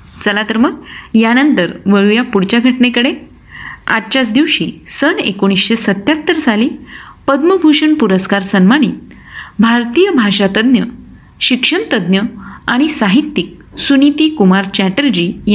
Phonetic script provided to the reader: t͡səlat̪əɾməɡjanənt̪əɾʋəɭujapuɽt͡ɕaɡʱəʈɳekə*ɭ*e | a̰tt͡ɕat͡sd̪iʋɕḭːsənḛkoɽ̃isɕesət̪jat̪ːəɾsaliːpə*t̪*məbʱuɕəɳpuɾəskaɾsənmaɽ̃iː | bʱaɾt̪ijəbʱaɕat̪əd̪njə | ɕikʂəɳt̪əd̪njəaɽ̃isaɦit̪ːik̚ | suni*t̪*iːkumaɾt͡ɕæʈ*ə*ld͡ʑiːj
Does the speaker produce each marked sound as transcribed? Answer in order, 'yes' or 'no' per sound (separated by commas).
no, no, yes, yes